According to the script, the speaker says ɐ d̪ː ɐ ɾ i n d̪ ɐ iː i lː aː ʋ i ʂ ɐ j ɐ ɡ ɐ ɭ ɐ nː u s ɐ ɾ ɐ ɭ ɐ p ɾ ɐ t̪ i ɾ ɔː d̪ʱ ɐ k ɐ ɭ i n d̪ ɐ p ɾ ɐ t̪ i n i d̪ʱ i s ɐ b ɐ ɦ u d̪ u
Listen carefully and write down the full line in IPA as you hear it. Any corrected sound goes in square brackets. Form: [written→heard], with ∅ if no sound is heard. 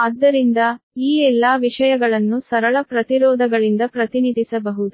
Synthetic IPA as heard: ɐ d̪ː ɐ ɾ i n d̪ ɐ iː [i→ɛ] lː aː ʋ i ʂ ɐ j ɐ ɡ ɐ ɭ ɐ nː u s ɐ ɾ ɐ ɭ ɐ p ɾ ɐ t̪ i ɾ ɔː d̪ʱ ɐ [k→ɡ] ɐ ɭ i n d̪ ɐ p ɾ ɐ t̪ i n i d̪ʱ i s ɐ b ɐ ɦ u d̪ u